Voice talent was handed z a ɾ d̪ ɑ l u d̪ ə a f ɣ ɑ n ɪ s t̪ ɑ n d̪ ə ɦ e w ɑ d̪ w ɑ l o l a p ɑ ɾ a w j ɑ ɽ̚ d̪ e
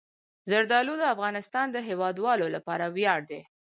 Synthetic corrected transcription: z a ɾ d̪ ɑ l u d̪ ə a f ɣ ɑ n ɪ s t̪ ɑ n d̪ ə ɦ e w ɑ d̪ w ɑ l o l a p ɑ ɾ a w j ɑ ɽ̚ d̪ e